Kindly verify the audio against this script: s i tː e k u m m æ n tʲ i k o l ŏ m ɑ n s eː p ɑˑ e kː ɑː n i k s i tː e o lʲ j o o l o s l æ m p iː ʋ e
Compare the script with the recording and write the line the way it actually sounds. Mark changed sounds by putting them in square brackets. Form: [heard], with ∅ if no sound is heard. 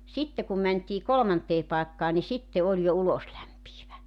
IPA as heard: s i tː e k u m m æ n tʲ [iː] k o l ŏ m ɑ n [t] eː p ɑˑ e kː ɑː n i [∅] s i tː e o lʲ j o [u] l o s l æ m p iː ʋ [æ]